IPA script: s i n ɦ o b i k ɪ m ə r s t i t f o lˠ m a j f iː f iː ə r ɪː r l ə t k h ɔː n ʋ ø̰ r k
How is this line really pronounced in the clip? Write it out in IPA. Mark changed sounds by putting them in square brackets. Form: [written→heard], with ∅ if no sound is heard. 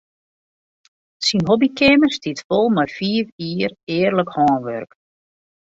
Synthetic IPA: s i n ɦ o b i k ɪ m ə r s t i t f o lˠ m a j f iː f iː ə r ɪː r l ə [t→∅] k h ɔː n ʋ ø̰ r k